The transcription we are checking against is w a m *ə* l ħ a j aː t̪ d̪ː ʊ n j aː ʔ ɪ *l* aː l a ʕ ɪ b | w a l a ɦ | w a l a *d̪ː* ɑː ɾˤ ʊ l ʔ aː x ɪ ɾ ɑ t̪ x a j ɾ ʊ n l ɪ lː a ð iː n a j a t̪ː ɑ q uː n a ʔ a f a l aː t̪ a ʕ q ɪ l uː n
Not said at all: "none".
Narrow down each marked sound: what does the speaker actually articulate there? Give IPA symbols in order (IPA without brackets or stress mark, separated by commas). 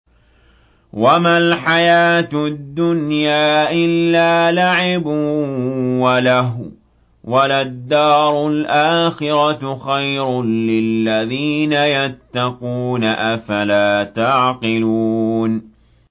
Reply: a, lː, d̪ː